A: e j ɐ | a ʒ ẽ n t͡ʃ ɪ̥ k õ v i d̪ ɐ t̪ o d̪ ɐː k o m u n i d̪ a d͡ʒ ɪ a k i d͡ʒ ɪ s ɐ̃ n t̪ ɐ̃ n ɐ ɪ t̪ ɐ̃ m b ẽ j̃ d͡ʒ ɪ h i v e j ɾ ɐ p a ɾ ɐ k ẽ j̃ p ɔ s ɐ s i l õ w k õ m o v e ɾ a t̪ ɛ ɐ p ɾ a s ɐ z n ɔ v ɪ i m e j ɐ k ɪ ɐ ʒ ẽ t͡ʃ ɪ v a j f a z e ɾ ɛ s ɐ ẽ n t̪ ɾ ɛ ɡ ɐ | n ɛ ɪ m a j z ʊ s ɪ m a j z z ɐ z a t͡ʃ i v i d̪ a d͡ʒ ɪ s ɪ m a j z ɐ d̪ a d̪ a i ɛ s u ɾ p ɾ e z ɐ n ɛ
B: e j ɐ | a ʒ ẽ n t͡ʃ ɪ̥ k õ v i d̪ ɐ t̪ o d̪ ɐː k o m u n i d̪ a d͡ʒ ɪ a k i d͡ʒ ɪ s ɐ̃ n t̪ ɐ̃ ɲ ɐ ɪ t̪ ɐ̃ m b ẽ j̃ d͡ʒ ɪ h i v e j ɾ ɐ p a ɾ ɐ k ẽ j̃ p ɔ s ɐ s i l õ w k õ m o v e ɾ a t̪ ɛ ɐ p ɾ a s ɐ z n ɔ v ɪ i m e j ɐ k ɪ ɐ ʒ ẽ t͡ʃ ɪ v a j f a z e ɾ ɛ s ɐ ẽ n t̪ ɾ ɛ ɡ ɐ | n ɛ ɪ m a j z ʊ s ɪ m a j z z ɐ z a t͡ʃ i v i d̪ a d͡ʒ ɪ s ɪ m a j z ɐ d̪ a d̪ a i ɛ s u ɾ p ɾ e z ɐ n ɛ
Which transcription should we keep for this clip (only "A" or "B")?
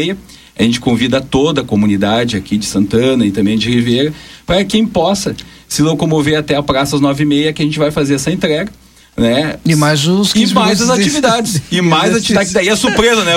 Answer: A